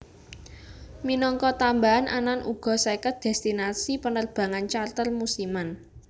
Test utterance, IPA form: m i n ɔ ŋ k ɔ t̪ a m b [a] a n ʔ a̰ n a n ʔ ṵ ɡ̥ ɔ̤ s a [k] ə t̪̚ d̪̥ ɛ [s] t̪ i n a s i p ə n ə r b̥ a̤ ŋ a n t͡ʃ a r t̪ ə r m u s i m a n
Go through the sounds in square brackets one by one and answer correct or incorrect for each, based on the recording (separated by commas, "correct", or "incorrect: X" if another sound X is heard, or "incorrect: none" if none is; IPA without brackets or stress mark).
correct, correct, correct